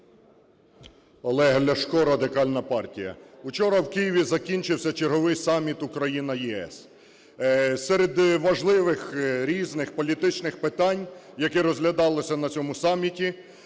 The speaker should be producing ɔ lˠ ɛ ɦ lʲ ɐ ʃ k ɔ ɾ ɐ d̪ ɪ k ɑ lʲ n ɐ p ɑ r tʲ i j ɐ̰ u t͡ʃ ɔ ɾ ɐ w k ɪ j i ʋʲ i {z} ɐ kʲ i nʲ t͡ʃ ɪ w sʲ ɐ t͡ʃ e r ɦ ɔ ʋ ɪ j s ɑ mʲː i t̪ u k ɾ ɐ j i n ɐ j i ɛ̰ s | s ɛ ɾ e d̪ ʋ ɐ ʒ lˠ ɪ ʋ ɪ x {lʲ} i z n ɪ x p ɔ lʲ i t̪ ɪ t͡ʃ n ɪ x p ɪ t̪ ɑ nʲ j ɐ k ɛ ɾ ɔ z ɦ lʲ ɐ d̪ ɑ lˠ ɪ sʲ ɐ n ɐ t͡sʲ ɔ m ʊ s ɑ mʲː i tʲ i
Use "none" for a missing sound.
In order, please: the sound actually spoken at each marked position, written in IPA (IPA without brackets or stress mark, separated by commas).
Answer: z, ɾʲ